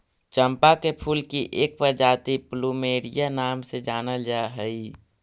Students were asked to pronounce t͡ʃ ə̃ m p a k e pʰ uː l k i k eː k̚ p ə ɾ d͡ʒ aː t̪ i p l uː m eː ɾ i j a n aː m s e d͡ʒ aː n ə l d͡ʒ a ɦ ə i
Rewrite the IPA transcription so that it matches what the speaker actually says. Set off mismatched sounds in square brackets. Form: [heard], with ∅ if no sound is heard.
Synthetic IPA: t͡ʃ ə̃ m p a k e pʰ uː l k i [ʔ] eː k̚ p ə ɾ d͡ʒ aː t̪ i p l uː m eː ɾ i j a n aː m s e d͡ʒ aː n ə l d͡ʒ a ɦ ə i